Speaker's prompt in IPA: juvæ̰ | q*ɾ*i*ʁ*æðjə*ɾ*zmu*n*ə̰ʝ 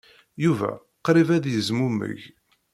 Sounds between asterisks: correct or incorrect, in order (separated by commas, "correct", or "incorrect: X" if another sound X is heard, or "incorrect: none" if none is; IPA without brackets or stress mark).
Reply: correct, incorrect: v, incorrect: none, incorrect: m